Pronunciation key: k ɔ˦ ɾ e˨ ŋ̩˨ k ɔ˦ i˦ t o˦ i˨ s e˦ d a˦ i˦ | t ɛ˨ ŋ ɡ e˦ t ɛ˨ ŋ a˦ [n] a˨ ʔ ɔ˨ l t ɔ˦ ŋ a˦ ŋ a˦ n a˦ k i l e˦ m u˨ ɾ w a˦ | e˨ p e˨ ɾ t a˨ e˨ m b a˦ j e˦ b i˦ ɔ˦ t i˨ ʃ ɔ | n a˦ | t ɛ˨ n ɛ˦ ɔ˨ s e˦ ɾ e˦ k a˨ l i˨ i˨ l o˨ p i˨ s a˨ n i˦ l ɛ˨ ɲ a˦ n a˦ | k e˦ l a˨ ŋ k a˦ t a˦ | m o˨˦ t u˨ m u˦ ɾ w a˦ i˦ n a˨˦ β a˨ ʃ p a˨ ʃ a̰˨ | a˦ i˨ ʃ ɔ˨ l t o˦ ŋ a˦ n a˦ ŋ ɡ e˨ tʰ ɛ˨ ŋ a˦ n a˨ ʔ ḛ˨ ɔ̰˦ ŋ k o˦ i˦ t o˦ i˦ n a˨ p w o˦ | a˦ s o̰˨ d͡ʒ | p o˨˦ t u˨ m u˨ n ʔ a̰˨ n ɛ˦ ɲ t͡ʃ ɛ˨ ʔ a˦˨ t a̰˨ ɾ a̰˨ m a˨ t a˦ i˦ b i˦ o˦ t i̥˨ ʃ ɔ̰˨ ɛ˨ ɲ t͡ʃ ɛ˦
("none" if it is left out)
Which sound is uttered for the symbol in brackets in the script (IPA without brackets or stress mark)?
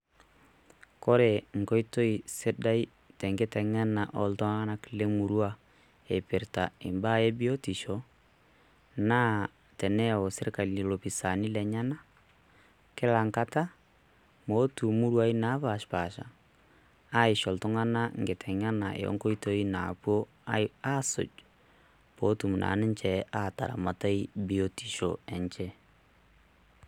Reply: n